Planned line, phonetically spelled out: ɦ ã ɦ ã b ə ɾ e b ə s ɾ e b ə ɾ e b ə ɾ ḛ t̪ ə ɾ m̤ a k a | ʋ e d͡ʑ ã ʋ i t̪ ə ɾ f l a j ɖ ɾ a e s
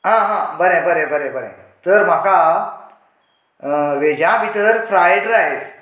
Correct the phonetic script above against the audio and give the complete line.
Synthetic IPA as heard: ɦ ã ɦ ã b ə ɾ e b ə ɾ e b ə ɾ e b ə ɾ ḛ t̪ ə ɾ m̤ a k a | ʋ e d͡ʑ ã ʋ i t̪ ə ɾ f ɾ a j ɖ ɾ a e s